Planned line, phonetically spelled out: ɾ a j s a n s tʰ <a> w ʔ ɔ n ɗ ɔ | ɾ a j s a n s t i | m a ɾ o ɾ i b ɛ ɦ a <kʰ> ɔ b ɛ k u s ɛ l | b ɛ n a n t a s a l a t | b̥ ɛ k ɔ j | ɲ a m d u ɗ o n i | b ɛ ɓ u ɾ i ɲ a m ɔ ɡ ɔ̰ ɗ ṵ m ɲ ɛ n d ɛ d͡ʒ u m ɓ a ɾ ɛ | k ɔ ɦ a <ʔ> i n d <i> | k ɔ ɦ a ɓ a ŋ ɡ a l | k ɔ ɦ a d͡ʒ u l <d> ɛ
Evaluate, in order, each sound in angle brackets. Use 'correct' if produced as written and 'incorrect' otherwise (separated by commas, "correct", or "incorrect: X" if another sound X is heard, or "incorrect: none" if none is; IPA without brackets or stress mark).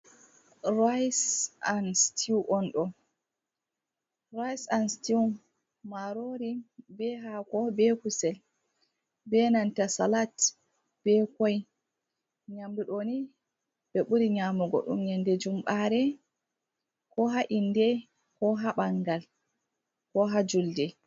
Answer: incorrect: i, incorrect: k, correct, incorrect: ɛ, correct